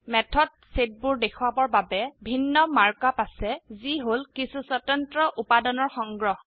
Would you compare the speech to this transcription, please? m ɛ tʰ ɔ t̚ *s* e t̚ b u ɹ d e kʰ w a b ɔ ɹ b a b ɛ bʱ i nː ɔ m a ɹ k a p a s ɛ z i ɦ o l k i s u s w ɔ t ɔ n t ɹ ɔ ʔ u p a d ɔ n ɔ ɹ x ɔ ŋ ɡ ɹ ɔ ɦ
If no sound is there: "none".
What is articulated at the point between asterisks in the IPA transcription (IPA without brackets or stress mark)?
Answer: s